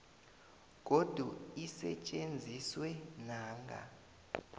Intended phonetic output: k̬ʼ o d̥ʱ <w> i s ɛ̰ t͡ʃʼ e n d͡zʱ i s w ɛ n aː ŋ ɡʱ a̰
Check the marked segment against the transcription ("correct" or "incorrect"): incorrect